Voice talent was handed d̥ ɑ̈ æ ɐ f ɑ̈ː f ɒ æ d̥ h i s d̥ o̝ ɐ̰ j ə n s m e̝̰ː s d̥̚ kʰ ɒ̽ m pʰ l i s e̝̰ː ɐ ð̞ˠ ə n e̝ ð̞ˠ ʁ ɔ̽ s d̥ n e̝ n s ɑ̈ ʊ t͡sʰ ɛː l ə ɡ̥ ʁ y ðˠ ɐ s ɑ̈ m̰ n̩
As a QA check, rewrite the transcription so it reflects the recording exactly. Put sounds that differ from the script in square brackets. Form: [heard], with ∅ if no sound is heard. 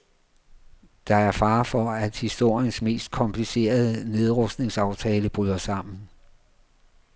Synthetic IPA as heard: d̥ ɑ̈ æ ɐ f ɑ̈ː f ɒ æ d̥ h i s d̥ o̝ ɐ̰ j ə n s m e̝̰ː s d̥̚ kʰ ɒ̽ m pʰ l i s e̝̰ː ɐ ð̞ˠ ə n e̝ ð̞ˠ ʁ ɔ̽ s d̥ n e̝ [ŋ] s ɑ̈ ʊ t͡sʰ ɛː l ə [b̥] ʁ y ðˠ ɐ s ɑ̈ m̰ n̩